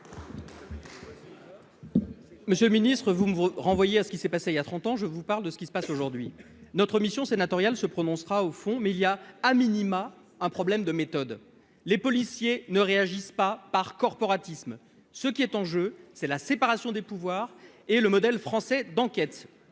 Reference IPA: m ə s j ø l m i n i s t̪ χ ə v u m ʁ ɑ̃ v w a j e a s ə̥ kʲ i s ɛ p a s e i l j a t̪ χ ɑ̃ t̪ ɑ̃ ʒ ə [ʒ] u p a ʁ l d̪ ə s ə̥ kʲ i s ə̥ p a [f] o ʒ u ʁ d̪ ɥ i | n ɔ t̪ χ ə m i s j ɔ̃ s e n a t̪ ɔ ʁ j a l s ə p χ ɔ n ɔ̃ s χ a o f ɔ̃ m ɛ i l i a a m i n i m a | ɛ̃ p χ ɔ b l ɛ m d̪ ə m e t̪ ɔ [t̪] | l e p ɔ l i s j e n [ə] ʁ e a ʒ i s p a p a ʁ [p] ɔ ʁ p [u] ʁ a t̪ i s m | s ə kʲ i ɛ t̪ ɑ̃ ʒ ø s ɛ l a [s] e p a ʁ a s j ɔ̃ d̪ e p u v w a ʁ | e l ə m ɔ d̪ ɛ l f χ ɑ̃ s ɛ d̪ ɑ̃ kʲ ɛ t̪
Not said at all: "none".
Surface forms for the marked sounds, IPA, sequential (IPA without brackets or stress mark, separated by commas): v, s, d̪, ə, k, ɔ, s